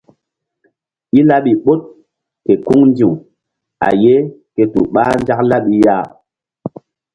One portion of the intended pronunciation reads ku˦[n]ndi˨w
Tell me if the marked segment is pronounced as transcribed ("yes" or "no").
no